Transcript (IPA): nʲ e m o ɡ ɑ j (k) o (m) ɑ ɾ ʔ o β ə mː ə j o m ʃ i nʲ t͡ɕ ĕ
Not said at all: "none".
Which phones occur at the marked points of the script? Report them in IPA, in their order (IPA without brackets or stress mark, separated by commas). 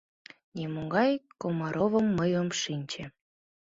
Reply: k, m